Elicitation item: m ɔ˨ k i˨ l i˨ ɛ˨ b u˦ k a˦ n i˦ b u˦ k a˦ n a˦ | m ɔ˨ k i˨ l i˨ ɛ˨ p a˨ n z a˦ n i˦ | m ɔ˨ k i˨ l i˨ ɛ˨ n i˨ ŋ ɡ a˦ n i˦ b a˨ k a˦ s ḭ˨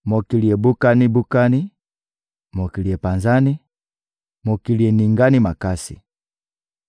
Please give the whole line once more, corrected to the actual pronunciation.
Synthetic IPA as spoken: m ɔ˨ k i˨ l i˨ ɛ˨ b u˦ k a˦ n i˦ b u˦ k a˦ n i˦ | m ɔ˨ k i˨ l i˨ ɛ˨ p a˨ n z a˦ n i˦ | m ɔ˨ k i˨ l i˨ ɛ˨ n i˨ ŋ ɡ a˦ n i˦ m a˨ k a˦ s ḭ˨